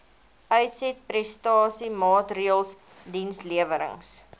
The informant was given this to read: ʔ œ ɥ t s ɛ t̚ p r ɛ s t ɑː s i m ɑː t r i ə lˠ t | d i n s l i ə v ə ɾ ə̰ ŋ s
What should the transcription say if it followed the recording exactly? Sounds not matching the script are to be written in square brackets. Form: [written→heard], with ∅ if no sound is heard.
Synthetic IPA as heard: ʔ œ ɥ t s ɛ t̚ p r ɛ s t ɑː s i m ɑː t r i ə lˠ [t→s] | d i n s l i ə v ə ɾ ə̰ ŋ s